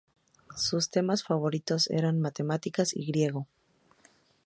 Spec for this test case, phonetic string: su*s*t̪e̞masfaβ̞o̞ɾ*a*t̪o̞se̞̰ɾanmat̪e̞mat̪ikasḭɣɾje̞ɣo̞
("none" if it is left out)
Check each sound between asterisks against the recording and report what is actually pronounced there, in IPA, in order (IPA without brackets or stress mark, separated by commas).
s, i